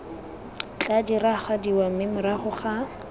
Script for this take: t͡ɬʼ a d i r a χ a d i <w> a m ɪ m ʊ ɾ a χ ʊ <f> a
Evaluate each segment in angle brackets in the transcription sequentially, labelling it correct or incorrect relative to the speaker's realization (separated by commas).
correct, incorrect